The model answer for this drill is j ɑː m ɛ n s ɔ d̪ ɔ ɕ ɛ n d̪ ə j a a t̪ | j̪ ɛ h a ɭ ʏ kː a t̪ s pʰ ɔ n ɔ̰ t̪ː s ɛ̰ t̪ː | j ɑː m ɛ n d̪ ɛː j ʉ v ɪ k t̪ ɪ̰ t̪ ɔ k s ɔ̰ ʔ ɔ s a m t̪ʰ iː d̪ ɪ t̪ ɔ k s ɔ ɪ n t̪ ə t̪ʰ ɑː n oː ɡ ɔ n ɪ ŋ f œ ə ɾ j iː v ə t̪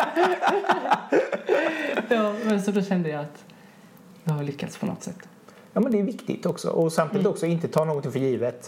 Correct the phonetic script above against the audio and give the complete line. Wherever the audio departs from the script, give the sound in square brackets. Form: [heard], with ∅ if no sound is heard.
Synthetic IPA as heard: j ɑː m ɛ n s ɔ d̪ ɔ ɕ ɛ n d̪ ə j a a t̪ | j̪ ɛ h a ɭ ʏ kː a t̪ s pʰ ɔ n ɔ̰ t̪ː s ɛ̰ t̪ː | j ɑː m ɛ n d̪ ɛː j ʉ v ɪ k t̪ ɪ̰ t̪ ɔ k s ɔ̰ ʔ ɔ s a m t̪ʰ iː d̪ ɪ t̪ ɔ k s ɔ ɪ n t̪ ə t̪ʰ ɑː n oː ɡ ɔ n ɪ ŋ f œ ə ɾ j iː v ə t̪